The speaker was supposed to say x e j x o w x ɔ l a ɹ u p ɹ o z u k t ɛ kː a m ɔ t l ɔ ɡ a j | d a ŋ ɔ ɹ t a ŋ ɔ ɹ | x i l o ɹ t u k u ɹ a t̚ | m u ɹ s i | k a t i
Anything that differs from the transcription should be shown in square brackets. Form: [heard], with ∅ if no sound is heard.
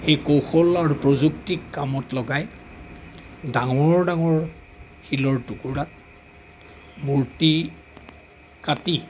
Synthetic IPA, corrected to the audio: x e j [k] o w x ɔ l a ɹ u p ɹ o z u k t [i] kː a m ɔ t l ɔ ɡ a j | d a ŋ ɔ ɹ [d] a ŋ ɔ ɹ | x i l [ɔ] ɹ t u k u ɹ a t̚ | m u ɹ [t] i | k a t i